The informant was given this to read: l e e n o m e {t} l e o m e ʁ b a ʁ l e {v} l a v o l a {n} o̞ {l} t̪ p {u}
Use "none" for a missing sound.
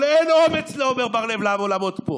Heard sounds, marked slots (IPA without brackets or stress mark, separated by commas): t͡s, v, m, none, o